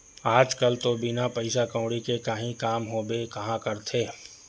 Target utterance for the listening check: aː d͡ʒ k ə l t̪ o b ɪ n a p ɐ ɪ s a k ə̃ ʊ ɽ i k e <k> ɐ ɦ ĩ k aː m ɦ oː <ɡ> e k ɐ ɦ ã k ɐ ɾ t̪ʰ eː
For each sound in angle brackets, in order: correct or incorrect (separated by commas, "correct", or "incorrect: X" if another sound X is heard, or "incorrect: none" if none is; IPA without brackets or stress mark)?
correct, incorrect: b